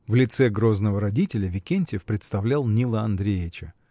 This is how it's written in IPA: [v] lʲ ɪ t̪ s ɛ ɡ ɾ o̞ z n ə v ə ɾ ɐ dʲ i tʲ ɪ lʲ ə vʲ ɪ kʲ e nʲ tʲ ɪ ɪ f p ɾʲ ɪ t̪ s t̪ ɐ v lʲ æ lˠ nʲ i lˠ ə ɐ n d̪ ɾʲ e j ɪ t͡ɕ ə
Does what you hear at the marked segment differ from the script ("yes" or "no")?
no